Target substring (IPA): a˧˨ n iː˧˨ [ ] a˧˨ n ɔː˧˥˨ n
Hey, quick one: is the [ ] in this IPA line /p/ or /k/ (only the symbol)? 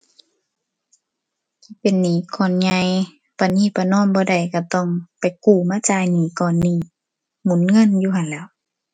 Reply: p